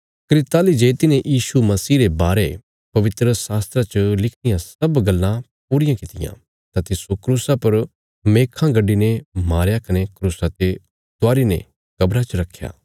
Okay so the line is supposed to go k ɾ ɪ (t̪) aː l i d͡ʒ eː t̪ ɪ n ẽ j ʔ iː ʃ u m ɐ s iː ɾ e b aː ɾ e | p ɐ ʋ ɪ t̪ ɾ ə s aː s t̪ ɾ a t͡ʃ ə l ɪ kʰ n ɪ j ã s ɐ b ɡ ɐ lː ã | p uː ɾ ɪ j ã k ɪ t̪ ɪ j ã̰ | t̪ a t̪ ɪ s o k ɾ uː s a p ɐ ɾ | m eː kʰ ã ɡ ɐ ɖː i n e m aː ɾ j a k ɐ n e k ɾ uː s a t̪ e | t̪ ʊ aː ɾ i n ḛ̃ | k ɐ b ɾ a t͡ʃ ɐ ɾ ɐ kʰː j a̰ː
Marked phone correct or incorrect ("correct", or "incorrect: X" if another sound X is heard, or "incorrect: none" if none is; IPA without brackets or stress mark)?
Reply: correct